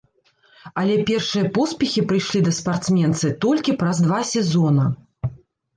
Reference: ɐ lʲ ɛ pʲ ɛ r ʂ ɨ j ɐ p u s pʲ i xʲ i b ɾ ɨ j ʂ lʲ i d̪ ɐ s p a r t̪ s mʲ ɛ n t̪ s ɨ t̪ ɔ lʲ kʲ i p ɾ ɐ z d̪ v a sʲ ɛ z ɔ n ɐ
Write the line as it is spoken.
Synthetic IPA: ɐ lʲ ɛ pʲ ɛ r ʂ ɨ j ɐ p ɔ s pʲ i xʲ i p ɾ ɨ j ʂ lʲ i d̪ ɐ s p a r t̪ s mʲ ɛ n t̪ s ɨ t̪ ɔ lʲ kʲ i p ɾ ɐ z d̪ v a sʲ ɛ z ɔ n ɐ